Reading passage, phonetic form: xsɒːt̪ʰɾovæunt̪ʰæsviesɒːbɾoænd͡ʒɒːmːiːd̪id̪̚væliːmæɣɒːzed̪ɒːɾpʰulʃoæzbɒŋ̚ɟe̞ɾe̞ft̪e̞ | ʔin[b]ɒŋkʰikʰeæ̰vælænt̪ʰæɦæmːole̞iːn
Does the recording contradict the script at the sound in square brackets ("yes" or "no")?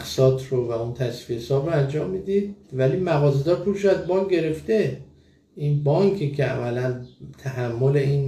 no